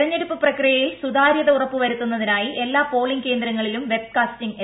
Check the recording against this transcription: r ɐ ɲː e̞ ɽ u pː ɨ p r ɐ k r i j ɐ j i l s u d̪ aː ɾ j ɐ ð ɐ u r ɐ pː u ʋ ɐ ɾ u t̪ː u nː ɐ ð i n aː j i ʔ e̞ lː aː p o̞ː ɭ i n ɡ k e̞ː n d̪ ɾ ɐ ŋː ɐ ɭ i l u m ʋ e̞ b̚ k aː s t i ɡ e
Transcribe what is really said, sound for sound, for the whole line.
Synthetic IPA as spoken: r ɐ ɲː e̞ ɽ u pː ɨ p r ɐ k r i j ɐ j i l s u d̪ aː ɾ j ɐ ð ɐ u r ɐ pː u ʋ ɐ ɾ u t̪ː u nː ɐ ð i n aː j i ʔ e̞ lː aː p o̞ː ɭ i ŋ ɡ k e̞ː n d̪ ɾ ɐ ŋː ɐ ɭ i l u m ʋ e̞ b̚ k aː s t i ŋ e